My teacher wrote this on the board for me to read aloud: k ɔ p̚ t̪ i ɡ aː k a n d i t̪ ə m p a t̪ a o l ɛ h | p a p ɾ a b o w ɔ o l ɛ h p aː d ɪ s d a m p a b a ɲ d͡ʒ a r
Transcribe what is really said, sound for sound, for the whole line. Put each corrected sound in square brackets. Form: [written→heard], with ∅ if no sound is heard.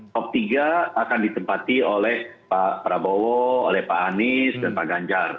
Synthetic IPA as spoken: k ɔ p̚ t̪ i ɡ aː k a n d i t̪ ə m p a t̪ [a→i] o l ɛ h | p a p ɾ a b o w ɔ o l ɛ h p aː [d→n] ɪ s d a [m→n] p a [b→ɡ] a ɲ d͡ʒ a r